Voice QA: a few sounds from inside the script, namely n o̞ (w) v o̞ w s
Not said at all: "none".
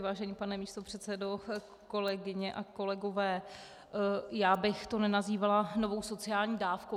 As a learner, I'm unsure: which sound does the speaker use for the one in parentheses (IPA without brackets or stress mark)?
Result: none